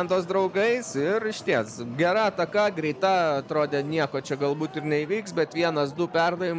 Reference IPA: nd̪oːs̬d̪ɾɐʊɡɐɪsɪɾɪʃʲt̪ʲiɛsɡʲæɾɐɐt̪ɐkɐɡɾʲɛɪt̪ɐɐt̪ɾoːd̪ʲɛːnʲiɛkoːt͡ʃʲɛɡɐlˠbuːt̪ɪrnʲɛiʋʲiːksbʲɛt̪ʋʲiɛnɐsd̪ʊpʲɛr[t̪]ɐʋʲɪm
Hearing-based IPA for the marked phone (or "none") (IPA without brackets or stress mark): d̪